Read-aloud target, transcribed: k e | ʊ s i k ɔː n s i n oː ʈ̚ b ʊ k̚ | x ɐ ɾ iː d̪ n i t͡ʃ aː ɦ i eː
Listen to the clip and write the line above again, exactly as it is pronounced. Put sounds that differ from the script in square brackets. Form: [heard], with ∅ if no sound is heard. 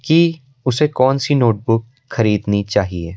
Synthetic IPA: k [i] | ʊ s [e] k ɔː n s i n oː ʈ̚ b ʊ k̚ | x ɐ ɾ iː d̪ n i t͡ʃ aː ɦ i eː

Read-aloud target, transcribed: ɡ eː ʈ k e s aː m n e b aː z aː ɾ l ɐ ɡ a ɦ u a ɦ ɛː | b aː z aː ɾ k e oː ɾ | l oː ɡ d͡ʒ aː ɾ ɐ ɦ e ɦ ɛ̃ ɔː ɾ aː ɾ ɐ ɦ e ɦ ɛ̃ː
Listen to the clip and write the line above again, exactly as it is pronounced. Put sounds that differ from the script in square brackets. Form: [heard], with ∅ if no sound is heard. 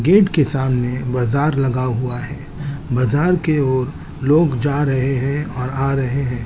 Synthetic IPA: ɡ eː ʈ k e s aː m n e b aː z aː ɾ l ɐ ɡ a ɦ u a ɦ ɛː | b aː z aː ɾ k e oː ɾ | l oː ɡ d͡ʒ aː ɾ ɐ ɦ e ɦ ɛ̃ ɔː ɾ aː ɾ ɐ ɦ e ɦ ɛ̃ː

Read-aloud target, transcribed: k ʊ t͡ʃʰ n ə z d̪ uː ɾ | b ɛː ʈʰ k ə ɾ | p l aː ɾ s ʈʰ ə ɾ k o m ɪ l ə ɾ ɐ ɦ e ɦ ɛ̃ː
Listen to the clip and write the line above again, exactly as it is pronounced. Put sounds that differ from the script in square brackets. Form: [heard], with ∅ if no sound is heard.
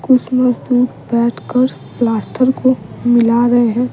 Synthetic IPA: k ʊ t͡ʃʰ [m] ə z d̪ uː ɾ | b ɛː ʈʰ k ə ɾ | p l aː [∅] s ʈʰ ə ɾ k o m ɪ l [a] ɾ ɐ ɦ e ɦ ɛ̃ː

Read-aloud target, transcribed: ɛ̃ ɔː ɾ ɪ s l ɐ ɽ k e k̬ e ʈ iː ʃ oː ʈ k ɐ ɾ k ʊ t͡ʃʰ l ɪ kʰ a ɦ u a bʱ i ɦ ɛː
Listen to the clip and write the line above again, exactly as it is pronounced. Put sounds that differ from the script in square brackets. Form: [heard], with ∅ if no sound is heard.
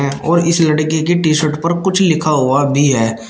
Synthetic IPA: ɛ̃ ɔː ɾ ɪ s l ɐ ɽ k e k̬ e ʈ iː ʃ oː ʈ [p] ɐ ɾ k ʊ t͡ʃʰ l ɪ kʰ a ɦ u a bʱ i ɦ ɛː

